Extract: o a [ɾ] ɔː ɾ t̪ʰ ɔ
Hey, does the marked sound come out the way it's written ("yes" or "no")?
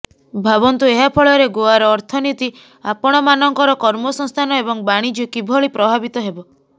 yes